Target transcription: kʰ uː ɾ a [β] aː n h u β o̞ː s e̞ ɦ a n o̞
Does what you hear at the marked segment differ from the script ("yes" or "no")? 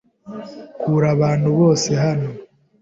no